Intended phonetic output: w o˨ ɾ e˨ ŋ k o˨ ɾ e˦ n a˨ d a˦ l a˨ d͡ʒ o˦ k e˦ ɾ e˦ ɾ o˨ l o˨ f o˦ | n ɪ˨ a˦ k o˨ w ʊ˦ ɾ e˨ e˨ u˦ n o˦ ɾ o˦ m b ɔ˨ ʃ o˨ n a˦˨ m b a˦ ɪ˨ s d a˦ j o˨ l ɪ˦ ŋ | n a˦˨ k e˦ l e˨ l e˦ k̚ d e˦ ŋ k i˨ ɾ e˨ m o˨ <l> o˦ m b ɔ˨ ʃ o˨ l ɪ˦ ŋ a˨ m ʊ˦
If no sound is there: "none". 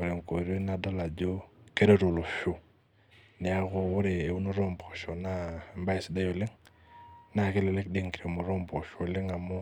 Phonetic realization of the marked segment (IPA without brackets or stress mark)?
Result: ɾ